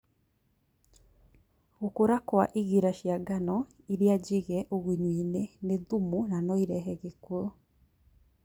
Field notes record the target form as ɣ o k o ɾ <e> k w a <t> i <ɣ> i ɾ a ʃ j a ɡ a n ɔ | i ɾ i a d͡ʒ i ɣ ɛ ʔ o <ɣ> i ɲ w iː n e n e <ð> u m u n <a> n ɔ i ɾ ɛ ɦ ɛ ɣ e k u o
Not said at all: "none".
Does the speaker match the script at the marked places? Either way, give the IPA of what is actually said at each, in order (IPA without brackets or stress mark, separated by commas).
a, ʔ, ɣ, ɣ, ð, a